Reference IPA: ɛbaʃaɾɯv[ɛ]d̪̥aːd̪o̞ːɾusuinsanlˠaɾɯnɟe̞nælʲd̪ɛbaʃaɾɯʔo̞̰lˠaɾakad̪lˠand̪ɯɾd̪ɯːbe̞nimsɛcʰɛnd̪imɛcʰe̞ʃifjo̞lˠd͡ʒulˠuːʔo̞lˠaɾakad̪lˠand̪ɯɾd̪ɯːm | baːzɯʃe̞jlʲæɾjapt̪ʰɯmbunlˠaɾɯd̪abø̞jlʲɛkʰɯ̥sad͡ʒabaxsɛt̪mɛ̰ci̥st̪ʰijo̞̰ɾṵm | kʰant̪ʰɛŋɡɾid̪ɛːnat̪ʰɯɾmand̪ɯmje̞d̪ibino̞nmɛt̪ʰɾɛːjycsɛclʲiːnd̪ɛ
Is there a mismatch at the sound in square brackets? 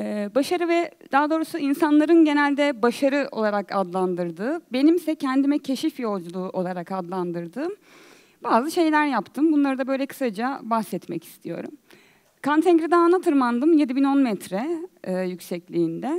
no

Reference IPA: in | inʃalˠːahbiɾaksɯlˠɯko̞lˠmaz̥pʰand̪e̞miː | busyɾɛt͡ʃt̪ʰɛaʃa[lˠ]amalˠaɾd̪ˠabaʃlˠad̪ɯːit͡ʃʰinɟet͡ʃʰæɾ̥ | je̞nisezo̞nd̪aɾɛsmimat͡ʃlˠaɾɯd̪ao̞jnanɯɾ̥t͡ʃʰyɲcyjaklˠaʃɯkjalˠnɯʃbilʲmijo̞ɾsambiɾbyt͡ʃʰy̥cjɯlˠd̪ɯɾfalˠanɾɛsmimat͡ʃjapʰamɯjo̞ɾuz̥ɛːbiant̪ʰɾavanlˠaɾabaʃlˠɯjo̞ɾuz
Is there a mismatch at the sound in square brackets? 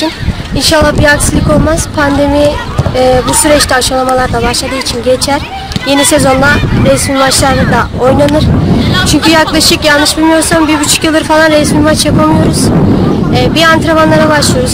no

